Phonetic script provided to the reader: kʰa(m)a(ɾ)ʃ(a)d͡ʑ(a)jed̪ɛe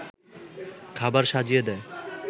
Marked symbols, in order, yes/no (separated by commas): no, yes, yes, no